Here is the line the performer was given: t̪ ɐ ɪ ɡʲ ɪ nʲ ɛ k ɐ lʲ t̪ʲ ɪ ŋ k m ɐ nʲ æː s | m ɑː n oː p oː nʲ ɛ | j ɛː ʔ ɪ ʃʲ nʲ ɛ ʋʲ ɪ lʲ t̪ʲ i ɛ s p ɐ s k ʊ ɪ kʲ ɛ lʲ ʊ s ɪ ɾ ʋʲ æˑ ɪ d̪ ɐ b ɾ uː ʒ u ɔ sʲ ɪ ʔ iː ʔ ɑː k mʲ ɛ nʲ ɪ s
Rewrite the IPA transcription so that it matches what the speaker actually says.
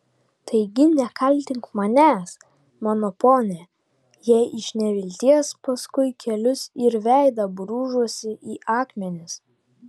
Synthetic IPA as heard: t̪ ɐ ɪ ɡʲ ɪ nʲ ɛ k ɐ lʲ t̪ʲ ɪ ŋ k m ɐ nʲ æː s | m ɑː n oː p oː nʲ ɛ | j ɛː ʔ ɪ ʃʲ nʲ ɛ ʋʲ ɪ lʲ t̪ʲ i ɛ s p ɐ s k ʊ ɪ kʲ ɛ lʲ ʊ s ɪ ɾ ʋʲ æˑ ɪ d̪ ɐ b ɾ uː ʒ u ɔ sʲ ɪ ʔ iː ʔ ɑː k mʲ ɛ nʲ ɪ s

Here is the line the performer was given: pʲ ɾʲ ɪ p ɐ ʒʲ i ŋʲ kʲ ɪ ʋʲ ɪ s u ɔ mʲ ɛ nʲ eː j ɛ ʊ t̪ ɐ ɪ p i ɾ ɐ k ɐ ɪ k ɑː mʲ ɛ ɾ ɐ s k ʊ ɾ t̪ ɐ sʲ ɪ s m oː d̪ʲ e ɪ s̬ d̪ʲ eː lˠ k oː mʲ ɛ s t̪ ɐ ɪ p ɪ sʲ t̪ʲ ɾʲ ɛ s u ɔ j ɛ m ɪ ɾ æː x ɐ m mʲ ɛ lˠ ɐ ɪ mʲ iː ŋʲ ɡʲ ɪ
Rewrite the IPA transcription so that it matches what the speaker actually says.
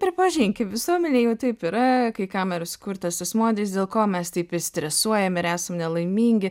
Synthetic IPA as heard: pʲ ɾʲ ɪ p ɐ ʒʲ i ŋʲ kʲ ɪ ʋʲ ɪ s u ɔ mʲ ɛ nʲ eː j ɛ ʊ t̪ ɐ ɪ p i ɾ ɐ k ɐ ɪ k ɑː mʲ ɛ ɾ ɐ s k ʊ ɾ t̪ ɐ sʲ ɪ s m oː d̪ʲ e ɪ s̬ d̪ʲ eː lˠ k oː mʲ ɛ s t̪ ɐ ɪ p ɪ sʲ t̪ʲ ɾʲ ɛ s u ɔ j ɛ m ɪ ɾ æː s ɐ m nʲ ɛ lˠ ɐ ɪ mʲ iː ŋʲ ɡʲ ɪ

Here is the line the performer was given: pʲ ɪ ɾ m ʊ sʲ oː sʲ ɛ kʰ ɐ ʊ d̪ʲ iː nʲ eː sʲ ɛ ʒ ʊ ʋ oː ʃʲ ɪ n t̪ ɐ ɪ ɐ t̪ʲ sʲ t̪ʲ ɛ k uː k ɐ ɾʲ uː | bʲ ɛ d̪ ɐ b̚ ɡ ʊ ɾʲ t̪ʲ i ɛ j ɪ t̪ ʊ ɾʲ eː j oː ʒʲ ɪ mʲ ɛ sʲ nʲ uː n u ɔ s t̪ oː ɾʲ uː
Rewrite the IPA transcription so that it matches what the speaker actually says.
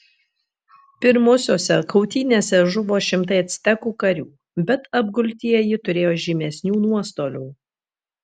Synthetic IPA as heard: pʲ ɪ ɾ m ʊ sʲ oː sʲ ɛ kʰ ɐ ʊ t̪ʲ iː nʲ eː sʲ ɛ ʒ ʊ ʋ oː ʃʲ ɪ m t̪ ɐ ɪ ɐ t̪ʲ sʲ t̪ʲ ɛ k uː k ɐ ɾʲ uː | bʲ ɛ t̪ ɐ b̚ ɡ ʊ lʲ t̪ʲ i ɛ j ɪ t̪ ʊ ɾʲ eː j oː ʒʲ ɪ mʲ ɛ sʲ nʲ uː n u ɔ s t̪ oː lʲ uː

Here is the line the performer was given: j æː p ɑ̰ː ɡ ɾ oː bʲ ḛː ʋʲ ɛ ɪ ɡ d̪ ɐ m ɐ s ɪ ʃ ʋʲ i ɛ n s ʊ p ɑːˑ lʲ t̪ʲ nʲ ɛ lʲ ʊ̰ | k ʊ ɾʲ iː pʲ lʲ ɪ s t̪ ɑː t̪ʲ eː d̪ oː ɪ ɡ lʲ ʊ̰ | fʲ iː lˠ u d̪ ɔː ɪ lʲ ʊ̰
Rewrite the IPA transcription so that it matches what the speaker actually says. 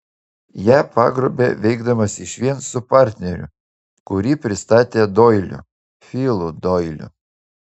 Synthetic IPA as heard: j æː p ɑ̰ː ɡ ɾ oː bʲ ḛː ʋʲ ɛ ɪ ɡ d̪ ɐ m ɐ s ɪ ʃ ʋʲ i ɛ n s ʊ p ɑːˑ ɾʲ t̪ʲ nʲ ɛ ɾʲ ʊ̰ | k ʊ ɾʲ iː pʲ ɾʲ ɪ s t̪ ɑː t̪ʲ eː d̪ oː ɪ lʲ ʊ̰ | fʲ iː lˠ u d̪ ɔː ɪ lʲ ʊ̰

